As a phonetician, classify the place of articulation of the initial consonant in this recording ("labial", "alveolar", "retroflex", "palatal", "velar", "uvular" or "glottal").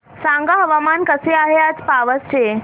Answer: alveolar